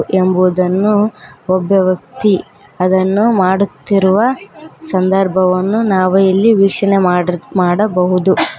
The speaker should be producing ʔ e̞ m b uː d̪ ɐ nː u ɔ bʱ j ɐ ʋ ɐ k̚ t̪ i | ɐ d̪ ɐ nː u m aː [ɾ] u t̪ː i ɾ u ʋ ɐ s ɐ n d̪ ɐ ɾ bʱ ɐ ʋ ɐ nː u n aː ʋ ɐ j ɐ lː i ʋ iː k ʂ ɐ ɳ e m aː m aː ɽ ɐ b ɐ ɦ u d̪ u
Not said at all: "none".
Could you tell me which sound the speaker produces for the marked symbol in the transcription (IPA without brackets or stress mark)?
ɽ